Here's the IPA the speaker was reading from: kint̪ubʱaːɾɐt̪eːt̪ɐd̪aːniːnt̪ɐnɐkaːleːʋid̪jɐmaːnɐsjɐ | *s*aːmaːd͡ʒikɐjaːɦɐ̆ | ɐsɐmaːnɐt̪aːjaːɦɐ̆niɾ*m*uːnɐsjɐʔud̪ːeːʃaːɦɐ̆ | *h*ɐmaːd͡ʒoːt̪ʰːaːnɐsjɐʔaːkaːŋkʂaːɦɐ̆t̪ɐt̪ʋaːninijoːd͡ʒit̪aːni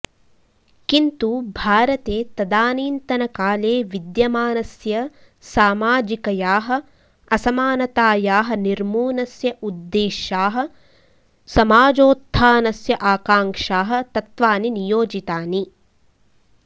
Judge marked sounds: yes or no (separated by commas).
yes, yes, no